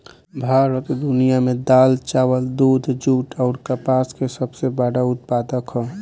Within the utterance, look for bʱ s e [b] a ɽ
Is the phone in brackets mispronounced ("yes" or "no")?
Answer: no